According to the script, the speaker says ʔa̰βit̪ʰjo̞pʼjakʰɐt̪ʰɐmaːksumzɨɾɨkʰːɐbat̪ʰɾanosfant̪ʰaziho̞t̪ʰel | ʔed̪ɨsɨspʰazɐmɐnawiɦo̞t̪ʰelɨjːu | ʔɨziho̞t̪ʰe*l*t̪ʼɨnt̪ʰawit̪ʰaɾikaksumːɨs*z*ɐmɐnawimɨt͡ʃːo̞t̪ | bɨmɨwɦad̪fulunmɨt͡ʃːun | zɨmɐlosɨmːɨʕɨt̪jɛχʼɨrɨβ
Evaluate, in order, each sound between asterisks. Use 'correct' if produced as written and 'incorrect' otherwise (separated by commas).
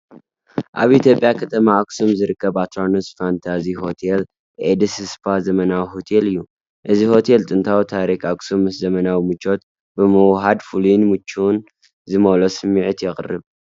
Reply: correct, correct